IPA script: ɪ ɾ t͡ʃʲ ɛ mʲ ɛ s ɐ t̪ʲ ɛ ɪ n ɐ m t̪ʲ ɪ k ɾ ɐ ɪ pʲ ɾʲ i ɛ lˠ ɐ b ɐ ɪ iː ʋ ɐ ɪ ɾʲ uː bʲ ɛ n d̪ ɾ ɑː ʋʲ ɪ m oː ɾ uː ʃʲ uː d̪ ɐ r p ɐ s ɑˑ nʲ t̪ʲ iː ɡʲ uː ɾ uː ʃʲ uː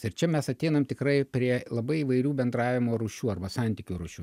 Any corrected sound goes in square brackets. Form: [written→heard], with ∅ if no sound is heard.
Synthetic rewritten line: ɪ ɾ t͡ʃʲ ɛ mʲ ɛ s ɐ t̪ʲ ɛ ɪ n ɐ m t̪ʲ ɪ k ɾ ɐ ɪ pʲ ɾʲ i ɛ lˠ ɐ b ɐ ɪ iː ʋ ɐ ɪ ɾʲ uː bʲ ɛ n d̪ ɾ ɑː ʋʲ ɪ m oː ɾ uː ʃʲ uː [d̪→∅] ɐ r [p→b] ɐ s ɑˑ nʲ t̪ʲ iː [ɡʲ→kʲ] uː ɾ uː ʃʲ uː